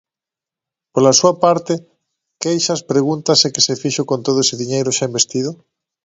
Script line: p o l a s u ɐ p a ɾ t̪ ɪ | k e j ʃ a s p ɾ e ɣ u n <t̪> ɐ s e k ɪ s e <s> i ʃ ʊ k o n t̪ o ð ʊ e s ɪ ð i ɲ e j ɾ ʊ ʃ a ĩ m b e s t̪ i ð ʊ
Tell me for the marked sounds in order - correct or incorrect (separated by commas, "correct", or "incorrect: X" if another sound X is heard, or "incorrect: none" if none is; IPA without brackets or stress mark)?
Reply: correct, incorrect: f